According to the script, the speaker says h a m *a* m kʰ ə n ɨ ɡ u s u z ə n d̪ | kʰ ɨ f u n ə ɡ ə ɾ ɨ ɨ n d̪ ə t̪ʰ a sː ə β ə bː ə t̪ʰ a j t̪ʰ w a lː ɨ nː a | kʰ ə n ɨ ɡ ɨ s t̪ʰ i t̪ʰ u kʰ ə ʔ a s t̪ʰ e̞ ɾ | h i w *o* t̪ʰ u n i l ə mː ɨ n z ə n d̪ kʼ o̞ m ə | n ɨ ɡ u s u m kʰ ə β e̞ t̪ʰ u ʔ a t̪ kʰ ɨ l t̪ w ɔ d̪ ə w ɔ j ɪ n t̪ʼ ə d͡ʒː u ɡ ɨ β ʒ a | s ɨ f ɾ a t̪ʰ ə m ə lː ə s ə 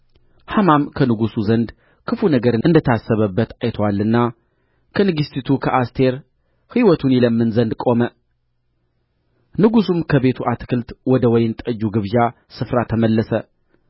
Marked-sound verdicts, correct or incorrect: correct, incorrect: ɔ

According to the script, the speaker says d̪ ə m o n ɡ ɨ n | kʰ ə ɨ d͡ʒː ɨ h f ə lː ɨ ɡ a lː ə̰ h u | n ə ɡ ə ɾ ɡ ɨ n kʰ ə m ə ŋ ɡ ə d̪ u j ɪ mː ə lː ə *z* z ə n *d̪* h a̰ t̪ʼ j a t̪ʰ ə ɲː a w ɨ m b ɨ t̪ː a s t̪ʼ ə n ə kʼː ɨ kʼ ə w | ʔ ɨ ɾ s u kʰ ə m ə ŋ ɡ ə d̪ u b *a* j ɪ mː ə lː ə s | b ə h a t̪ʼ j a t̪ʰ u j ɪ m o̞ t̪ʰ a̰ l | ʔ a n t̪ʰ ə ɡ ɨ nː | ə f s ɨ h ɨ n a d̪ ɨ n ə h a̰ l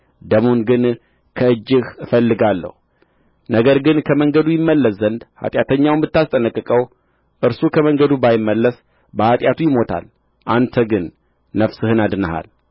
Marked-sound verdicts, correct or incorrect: incorrect: s, correct, correct

